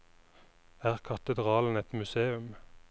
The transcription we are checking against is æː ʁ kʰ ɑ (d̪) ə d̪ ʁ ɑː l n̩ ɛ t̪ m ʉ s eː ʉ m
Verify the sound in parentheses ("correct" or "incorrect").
incorrect